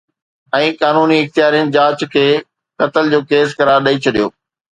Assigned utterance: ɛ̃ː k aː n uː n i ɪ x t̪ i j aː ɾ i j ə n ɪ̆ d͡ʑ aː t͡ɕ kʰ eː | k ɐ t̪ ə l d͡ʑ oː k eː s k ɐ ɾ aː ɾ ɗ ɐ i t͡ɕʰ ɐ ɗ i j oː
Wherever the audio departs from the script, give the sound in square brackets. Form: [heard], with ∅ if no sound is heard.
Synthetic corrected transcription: ɛ̃ː k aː n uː n i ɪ x t̪ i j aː ɾ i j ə n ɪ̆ d͡ʑ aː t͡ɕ kʰ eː | k ɐ t̪ ə l d͡ʑ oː k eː s k ɐ ɾ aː ɾ ɗ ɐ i t͡ɕʰ ɐ ɗ i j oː